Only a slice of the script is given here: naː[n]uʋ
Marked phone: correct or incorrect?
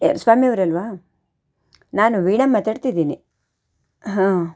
correct